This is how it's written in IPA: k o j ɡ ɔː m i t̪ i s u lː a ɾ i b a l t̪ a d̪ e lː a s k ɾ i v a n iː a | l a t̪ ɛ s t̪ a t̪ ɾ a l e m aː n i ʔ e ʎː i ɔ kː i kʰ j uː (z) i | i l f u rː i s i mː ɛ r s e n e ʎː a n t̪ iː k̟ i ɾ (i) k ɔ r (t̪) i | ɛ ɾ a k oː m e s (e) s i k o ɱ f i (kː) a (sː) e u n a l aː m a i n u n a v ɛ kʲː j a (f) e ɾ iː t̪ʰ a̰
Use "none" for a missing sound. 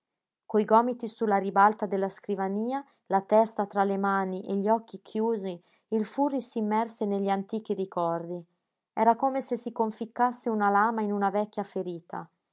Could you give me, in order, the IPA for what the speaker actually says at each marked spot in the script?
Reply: z, i, d̪, e, kː, sː, f

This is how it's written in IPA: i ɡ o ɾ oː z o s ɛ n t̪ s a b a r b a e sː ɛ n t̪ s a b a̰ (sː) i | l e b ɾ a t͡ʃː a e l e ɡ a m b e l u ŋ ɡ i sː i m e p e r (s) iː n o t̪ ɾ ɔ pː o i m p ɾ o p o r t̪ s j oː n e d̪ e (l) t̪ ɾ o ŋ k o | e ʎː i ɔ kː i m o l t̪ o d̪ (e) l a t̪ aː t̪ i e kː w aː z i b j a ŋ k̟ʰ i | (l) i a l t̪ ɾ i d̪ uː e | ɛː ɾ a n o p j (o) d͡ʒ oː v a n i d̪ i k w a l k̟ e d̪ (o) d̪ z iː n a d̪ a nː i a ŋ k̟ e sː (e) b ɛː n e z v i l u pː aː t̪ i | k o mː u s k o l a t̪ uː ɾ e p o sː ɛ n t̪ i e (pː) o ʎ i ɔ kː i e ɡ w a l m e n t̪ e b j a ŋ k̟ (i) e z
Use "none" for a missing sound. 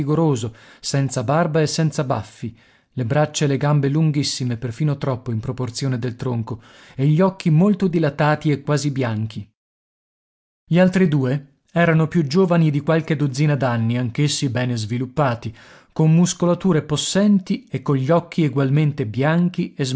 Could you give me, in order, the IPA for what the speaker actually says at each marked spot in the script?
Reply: fː, f, l, i, ʎ, u, o, i, kː, i

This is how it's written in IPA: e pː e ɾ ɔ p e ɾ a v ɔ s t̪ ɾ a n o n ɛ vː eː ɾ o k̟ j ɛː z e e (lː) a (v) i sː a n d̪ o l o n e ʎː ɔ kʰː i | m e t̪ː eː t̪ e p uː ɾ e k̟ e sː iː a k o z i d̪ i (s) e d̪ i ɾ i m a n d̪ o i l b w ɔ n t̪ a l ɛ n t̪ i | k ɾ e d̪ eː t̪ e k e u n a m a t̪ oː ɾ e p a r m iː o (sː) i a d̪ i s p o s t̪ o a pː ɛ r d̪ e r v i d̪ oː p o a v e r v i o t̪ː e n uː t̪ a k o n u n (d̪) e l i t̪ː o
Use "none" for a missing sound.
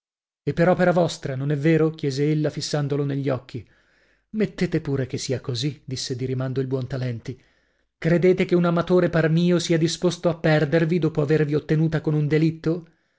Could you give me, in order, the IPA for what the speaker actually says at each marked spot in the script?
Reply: lː, f, sː, s, d̪

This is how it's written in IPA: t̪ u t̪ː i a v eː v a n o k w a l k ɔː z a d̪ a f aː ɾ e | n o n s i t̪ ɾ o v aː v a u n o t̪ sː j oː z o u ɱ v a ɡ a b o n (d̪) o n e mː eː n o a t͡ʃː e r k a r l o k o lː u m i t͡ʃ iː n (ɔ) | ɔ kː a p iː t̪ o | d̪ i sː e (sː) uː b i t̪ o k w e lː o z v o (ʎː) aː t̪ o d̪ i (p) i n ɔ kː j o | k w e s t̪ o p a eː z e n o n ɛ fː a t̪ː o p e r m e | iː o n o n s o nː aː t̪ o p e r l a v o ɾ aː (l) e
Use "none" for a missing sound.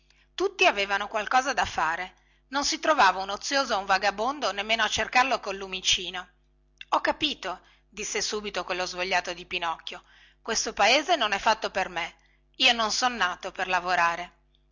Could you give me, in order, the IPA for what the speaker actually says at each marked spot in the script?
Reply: d̪, o, s, ʎː, p, ɾ

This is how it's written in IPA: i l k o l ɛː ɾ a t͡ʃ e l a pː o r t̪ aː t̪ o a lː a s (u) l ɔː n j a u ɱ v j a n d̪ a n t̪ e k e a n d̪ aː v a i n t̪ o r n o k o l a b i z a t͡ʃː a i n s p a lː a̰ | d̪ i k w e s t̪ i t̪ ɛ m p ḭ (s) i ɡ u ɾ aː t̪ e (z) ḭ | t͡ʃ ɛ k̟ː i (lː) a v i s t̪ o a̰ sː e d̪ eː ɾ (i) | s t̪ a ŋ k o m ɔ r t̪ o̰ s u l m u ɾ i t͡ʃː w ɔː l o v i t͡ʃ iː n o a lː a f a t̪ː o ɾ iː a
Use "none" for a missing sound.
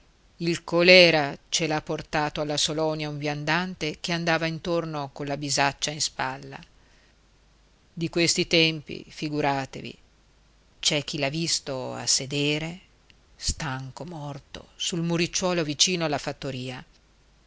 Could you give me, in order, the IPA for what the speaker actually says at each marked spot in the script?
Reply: o, f, v, l, e

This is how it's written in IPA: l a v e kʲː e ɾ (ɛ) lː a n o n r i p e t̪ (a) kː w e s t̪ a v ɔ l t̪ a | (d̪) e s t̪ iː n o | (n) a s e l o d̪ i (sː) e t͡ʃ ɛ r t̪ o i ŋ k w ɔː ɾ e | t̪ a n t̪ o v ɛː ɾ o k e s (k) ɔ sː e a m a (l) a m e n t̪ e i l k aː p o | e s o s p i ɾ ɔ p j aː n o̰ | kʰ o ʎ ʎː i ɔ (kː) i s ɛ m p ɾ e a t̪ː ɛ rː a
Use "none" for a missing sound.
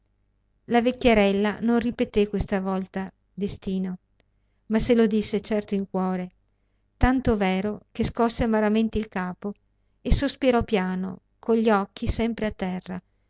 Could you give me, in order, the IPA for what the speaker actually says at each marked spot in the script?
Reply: ɛ, e, d̪, m, sː, k, ɾ, kː

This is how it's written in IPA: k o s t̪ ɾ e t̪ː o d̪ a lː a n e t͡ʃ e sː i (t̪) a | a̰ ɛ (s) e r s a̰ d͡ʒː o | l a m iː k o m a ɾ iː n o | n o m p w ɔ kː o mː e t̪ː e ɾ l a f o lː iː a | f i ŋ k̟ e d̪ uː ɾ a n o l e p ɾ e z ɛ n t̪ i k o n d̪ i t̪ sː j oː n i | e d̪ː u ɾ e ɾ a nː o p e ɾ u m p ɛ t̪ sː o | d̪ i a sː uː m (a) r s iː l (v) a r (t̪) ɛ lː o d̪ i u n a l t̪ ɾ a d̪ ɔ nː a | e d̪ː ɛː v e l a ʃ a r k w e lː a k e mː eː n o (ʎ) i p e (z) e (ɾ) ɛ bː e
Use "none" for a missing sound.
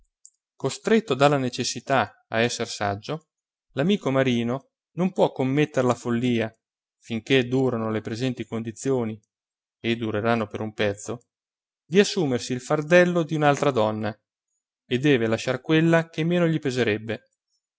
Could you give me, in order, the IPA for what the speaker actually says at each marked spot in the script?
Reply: t̪, sː, e, f, d̪, ʎ, z, ɾ

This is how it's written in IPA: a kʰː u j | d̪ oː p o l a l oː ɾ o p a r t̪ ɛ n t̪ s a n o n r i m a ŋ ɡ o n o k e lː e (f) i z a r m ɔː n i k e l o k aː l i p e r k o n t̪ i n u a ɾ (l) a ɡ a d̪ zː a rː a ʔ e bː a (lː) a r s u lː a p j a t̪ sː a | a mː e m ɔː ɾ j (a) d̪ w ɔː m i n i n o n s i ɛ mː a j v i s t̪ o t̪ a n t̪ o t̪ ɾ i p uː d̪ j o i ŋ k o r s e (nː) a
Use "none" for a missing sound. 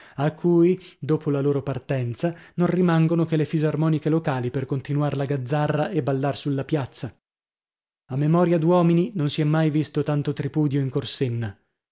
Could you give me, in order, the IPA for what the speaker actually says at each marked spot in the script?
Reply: f, l, lː, a, nː

